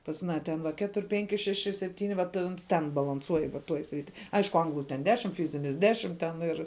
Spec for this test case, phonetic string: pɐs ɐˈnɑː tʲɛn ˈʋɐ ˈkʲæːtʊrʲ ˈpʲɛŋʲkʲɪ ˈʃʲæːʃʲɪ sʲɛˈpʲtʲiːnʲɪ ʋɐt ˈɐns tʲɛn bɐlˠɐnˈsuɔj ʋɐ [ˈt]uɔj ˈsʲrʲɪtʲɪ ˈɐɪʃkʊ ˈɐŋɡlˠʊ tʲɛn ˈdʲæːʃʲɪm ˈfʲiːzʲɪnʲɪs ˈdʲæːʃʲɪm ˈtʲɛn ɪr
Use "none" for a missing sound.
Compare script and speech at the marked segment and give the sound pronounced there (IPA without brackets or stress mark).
t